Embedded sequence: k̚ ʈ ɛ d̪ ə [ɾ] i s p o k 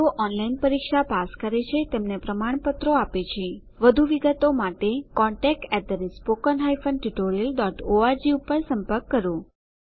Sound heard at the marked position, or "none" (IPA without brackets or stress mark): ɾ